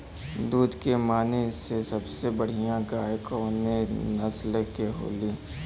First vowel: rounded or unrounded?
rounded